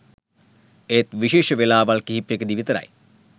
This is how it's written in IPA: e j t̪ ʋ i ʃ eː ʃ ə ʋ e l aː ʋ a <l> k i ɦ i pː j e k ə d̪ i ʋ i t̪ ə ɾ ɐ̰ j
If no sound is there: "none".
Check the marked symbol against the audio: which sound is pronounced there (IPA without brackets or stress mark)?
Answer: l